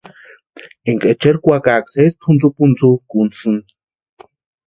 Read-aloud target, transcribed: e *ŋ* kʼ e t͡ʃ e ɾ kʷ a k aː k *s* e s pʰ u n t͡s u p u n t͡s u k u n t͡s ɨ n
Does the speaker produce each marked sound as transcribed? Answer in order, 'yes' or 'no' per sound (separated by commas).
yes, yes